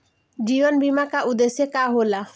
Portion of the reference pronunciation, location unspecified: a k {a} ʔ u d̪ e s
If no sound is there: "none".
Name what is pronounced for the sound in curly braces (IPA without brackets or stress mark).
a